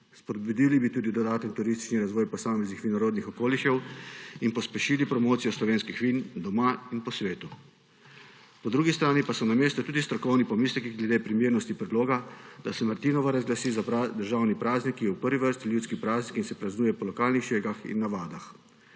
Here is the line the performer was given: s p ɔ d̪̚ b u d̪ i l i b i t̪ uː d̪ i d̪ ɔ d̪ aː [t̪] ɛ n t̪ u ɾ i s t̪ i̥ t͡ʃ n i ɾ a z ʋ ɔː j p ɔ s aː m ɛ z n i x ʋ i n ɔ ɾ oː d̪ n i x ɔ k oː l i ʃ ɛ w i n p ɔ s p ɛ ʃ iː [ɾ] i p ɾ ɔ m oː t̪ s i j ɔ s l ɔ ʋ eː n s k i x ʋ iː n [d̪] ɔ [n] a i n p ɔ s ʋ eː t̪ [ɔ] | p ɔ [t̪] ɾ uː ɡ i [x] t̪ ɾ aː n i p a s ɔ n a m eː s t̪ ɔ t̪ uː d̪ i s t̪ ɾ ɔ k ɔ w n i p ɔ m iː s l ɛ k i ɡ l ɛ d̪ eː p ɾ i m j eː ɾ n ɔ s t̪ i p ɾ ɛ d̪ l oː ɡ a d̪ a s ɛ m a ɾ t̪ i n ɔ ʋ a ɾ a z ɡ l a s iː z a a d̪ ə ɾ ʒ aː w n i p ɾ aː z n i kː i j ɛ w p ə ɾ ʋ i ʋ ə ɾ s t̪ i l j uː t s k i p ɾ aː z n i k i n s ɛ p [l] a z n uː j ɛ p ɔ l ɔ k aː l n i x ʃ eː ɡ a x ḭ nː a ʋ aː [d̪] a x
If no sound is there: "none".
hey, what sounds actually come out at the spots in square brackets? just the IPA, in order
t̪, l, d̪, m, u, d̪, s, ɾ, d̪

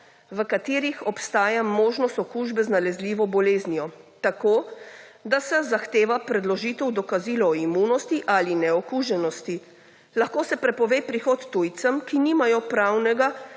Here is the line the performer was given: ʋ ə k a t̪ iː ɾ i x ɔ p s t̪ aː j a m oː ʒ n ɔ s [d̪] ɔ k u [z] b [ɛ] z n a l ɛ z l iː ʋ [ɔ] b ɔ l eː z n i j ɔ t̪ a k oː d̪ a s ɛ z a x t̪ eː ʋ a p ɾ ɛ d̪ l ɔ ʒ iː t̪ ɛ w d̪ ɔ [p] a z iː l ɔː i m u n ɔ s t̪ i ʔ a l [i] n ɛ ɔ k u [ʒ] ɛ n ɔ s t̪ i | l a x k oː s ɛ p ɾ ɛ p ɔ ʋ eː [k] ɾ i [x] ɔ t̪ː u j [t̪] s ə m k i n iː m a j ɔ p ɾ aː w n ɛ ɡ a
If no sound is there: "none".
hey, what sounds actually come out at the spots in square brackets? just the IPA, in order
t̪, ʒ, ɛ, ɔ, k, i, ʒ, p, x, t̪

